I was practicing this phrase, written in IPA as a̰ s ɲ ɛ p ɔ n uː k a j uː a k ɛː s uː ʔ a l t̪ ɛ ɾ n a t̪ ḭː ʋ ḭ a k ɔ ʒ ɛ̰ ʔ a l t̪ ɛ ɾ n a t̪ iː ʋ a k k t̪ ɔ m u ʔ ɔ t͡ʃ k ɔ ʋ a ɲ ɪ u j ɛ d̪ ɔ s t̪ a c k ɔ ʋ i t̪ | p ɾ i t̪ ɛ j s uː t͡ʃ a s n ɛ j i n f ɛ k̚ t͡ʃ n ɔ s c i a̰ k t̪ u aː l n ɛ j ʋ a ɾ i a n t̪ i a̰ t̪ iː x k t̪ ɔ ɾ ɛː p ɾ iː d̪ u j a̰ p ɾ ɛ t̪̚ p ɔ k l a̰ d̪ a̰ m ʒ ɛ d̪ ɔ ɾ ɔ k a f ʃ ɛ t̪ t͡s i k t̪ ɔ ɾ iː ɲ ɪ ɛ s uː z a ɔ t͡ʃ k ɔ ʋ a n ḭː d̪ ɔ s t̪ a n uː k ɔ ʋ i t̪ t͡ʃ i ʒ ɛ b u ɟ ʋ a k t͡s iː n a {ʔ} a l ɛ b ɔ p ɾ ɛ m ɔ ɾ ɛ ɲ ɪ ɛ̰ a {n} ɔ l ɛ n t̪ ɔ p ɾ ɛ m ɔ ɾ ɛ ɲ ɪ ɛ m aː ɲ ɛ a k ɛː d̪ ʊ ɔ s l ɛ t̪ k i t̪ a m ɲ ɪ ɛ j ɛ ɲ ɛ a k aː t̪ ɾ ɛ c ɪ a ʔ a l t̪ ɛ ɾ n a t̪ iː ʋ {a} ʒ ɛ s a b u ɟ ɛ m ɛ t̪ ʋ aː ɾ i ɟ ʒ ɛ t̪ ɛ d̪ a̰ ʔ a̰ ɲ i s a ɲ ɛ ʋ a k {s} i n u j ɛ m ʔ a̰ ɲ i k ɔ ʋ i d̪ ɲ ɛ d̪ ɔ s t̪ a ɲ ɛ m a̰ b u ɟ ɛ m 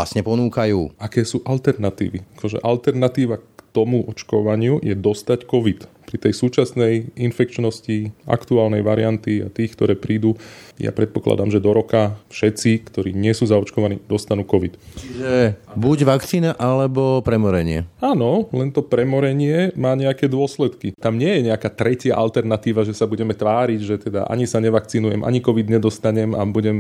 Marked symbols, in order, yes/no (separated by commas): yes, yes, yes, no